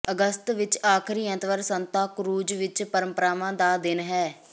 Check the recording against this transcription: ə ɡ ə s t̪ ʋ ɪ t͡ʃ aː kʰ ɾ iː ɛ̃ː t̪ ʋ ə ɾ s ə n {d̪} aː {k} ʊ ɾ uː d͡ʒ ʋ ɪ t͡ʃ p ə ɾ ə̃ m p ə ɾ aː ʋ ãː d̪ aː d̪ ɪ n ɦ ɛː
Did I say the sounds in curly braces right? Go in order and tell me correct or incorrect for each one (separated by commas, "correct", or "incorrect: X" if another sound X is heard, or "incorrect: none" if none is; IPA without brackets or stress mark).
incorrect: t̪, correct